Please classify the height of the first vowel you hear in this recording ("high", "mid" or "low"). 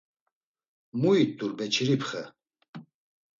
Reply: high